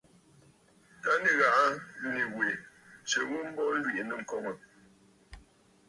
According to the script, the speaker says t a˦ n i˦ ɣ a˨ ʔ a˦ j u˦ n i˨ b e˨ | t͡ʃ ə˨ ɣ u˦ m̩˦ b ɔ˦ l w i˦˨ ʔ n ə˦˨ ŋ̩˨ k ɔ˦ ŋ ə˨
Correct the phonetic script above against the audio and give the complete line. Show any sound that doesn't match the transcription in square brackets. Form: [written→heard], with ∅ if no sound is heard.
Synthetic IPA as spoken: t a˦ n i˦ ɣ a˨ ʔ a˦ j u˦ n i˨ [b→w] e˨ | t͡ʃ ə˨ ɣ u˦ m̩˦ b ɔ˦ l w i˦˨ ʔ n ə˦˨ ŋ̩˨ k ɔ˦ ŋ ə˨